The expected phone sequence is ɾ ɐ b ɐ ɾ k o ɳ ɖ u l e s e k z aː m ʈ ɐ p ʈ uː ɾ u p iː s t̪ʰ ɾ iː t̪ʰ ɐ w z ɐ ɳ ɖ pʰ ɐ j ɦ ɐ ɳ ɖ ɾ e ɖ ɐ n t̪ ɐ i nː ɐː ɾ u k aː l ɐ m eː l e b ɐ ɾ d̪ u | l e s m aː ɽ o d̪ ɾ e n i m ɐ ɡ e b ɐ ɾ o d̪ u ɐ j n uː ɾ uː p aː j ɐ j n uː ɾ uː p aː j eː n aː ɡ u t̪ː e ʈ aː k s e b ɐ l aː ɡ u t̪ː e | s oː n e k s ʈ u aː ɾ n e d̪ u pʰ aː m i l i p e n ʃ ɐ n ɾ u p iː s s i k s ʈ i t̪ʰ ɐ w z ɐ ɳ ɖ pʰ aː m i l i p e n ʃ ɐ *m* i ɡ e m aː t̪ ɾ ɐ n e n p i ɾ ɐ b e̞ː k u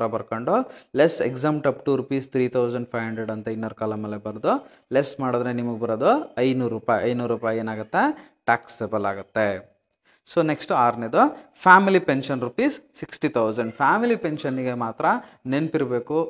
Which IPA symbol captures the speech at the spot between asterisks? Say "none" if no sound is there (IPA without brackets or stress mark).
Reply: n